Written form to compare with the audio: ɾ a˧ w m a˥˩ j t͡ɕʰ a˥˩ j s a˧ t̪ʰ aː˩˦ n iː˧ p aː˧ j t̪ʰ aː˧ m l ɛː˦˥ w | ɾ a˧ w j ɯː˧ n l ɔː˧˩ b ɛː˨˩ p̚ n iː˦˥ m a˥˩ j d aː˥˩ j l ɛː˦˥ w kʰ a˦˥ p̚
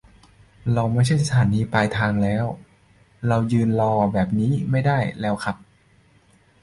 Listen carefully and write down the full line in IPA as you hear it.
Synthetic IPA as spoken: ɾ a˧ w m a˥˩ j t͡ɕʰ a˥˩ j s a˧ t̪ʰ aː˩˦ n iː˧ p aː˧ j t̪ʰ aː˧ ŋ l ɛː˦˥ w | ɾ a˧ w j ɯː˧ n l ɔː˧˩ b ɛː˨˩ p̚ n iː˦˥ m a˥˩ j d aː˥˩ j l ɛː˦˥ w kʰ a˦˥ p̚